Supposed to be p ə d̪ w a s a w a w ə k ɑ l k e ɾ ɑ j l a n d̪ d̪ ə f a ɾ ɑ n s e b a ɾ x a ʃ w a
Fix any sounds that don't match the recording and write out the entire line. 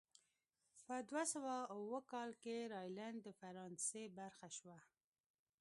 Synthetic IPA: p ə d̪ w a s a w a w ə k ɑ l k e ɾ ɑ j l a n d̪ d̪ ə f a ɾ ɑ n s e b a ɾ x a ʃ w a